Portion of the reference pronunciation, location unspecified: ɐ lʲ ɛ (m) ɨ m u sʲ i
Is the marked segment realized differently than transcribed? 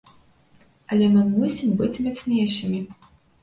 no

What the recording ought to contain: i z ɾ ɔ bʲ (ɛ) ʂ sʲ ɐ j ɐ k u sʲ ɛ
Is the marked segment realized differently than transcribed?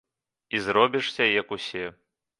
yes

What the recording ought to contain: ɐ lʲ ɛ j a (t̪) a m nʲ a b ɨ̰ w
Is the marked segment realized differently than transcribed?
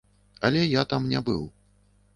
no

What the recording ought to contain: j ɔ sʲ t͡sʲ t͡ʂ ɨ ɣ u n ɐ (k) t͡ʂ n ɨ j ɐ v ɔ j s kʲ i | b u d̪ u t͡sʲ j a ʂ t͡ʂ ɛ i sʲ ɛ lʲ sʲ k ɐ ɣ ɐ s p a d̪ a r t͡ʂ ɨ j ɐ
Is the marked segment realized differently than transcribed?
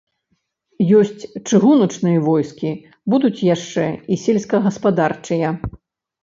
yes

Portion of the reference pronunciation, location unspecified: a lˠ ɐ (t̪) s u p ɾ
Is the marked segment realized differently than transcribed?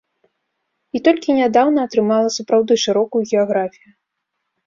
yes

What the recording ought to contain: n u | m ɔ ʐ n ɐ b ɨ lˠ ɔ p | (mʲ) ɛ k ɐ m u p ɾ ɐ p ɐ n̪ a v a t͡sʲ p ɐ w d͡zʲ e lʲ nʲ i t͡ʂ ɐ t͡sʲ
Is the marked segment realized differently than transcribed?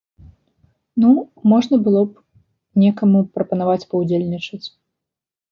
yes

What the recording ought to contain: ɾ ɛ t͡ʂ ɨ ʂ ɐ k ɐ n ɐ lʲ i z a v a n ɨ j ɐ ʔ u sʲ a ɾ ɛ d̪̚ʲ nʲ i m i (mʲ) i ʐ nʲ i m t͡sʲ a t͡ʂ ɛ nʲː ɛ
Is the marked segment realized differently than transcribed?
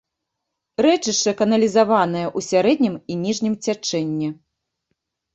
yes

